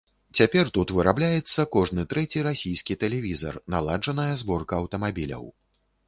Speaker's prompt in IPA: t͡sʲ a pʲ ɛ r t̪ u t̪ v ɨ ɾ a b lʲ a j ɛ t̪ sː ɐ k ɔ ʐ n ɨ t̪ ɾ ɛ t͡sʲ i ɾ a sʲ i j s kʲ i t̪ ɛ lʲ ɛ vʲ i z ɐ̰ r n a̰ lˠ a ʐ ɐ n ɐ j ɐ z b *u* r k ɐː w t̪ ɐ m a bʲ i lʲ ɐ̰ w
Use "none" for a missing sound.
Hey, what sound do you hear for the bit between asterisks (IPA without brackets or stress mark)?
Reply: ɔ